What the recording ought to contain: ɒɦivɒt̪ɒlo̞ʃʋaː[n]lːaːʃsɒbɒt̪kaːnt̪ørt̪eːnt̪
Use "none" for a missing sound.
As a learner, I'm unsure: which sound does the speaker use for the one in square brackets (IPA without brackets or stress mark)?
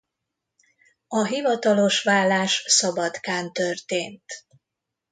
none